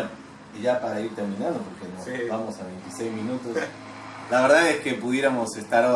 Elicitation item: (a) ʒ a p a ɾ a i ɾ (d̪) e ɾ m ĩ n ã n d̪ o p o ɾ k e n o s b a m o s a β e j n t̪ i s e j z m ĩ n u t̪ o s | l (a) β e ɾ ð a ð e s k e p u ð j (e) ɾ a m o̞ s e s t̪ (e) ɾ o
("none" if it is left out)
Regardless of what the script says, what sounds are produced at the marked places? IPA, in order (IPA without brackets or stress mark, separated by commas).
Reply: i, t̪, a, e, a